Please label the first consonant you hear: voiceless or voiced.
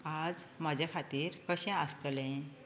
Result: voiced